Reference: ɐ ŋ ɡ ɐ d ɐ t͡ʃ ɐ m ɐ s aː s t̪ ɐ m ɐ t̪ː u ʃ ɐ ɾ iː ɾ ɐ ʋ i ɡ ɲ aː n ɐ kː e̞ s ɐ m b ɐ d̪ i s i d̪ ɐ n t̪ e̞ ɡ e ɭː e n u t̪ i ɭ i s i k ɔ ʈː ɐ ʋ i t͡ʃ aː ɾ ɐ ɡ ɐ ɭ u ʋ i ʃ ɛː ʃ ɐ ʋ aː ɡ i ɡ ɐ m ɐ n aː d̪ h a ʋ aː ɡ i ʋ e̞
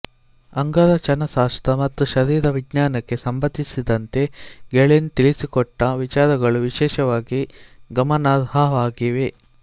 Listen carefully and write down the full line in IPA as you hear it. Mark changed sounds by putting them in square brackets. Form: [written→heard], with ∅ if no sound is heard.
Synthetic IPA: ɐ ŋ ɡ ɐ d ɐ t͡ʃ ɐ [m→n] ɐ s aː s t̪ ɐ m ɐ t̪ː u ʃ ɐ ɾ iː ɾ ɐ ʋ i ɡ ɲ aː n ɐ kː e̞ s ɐ m b ɐ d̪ i s i d̪ ɐ n t̪ e̞ ɡ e [ɭː→ɭ] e n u t̪ i ɭ i s i k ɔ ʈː ɐ ʋ i t͡ʃ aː ɾ ɐ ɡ ɐ ɭ u ʋ i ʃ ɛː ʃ ɐ ʋ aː ɡ i ɡ ɐ m ɐ n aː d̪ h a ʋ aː ɡ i ʋ e̞